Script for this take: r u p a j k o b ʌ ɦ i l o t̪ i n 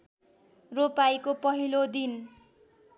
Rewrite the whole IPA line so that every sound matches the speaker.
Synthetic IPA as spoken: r o p a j k o p ʌ ɦ i l o d̪ i n